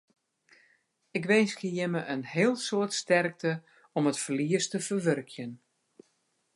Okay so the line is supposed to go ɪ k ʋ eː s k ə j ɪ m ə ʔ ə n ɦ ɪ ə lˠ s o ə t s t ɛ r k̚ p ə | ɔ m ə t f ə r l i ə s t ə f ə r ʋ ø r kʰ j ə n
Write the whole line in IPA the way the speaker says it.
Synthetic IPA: ɪ k ʋ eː s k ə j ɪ m ə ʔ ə n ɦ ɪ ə lˠ s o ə t s t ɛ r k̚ t ə | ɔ m ə t f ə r l i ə s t ə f ə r ʋ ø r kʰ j ə n